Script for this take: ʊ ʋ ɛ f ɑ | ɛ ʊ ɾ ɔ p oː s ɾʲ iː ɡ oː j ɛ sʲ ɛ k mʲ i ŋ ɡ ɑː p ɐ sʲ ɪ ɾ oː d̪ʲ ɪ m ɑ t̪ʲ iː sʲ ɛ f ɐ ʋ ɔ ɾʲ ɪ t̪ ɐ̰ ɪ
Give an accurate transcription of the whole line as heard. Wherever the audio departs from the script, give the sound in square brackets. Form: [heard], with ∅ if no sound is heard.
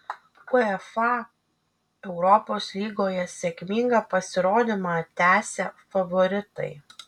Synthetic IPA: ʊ [∅] ɛ f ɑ | ɛ ʊ ɾ ɔ p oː s [lʲ] iː ɡ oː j ɛ sʲ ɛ k mʲ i ŋ ɡ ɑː p ɐ sʲ ɪ ɾ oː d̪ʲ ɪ m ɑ t̪ʲ [æː] sʲ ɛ f ɐ ʋ ɔ ɾʲ ɪ t̪ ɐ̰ ɪ

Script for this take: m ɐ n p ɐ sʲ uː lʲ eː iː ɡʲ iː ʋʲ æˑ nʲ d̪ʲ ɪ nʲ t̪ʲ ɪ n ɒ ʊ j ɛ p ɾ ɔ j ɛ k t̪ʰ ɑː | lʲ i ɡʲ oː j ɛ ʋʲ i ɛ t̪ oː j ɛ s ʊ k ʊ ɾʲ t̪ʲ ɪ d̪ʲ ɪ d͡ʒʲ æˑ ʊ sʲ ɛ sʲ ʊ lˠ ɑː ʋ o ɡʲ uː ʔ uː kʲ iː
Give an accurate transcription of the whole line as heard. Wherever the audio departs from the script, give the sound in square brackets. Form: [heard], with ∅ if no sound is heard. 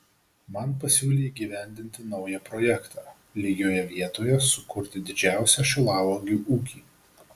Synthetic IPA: m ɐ n p ɐ sʲ uː lʲ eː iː ɡʲ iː ʋʲ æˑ nʲ d̪ʲ ɪ nʲ t̪ʲ ɪ n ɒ ʊ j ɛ p ɾ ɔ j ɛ k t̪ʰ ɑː | lʲ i ɡʲ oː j ɛ ʋʲ i ɛ t̪ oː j ɛ s ʊ k ʊ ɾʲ t̪ʲ ɪ d̪ʲ ɪ d͡ʒʲ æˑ ʊ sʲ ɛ [ʃʲ] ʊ lˠ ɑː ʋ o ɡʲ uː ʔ uː kʲ iː

